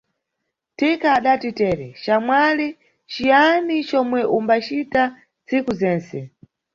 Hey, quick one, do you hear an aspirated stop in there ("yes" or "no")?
no